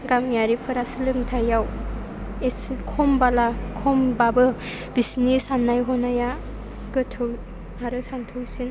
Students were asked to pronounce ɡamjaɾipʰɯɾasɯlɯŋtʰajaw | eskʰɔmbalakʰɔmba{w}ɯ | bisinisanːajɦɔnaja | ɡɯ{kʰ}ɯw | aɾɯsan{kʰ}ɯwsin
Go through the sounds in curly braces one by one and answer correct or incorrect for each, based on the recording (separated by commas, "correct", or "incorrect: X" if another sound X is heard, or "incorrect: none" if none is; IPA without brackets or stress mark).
incorrect: b, incorrect: tʰ, incorrect: tʰ